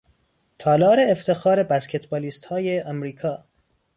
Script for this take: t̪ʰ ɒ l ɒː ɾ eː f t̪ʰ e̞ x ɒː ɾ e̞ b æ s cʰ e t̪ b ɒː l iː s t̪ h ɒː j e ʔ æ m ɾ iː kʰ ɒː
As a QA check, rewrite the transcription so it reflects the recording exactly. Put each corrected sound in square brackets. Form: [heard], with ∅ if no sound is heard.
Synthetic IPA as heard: t̪ʰ [ɒː] l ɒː ɾ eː f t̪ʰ e̞ x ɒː ɾ e̞ b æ s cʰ e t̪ b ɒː l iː s t̪ h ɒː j e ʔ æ m ɾ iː kʰ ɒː